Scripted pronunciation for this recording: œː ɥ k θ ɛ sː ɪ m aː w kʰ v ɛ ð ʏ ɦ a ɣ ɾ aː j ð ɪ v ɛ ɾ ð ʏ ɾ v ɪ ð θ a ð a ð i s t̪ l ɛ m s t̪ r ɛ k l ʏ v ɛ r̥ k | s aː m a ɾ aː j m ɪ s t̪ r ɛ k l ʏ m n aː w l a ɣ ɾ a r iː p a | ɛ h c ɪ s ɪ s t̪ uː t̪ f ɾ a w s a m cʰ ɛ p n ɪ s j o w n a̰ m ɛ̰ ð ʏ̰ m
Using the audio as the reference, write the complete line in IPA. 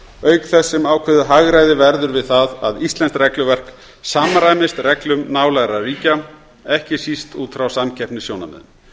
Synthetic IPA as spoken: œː ɥ k θ ɛ sː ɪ m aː w kʰ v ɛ ð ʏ ɦ a ɣ ɾ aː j ð ɪ v ɛ ɾ ð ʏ ɾ v ɪ ð θ a ð a ð i s t̪ l ɛ n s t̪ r ɛ k l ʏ v ɛ r̥ k | s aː m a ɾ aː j m ɪ s t̪ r ɛ k l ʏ m n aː w l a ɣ ɾ a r iː c a | ɛ h c ɪ s i s t̪ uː t̪ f ɾ a w s a m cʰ ɛ p n ɪ s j o w n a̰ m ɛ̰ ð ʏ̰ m